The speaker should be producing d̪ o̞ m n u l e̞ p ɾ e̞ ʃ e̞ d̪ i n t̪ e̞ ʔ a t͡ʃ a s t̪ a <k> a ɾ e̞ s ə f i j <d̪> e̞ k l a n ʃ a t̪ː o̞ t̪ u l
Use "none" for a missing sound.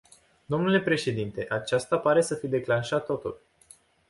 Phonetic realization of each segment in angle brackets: p, d̪

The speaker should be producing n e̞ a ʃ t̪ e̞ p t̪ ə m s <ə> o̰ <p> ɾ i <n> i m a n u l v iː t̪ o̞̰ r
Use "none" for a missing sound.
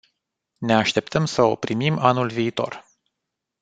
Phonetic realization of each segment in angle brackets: ə, p, m

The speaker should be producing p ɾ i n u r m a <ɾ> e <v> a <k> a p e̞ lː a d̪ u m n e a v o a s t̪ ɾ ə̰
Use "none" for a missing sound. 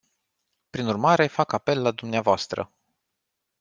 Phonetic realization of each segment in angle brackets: ɾ, f, k

